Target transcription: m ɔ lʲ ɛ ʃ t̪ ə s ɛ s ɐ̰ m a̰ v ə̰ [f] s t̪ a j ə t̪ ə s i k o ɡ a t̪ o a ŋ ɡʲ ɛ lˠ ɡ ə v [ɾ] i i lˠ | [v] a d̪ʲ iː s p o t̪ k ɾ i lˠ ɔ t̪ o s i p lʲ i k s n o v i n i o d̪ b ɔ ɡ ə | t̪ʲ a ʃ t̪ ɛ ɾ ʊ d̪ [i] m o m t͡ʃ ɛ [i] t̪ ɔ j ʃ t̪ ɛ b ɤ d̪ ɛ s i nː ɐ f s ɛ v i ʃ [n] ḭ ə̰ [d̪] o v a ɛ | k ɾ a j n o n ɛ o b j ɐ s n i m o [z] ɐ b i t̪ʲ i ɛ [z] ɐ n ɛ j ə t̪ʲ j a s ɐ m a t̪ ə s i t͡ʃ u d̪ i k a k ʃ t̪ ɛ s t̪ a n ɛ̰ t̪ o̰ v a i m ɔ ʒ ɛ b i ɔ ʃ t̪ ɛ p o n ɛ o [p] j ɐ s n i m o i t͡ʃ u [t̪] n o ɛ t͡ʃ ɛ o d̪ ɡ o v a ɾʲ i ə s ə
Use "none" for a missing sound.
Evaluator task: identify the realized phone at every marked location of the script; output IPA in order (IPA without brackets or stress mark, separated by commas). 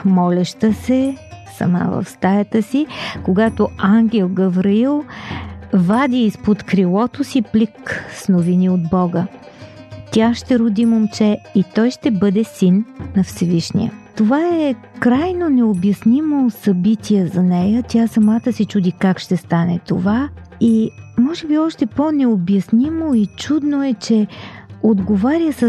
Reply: f, ɾ, v, i, i, n, t̪, s, z, b, d̪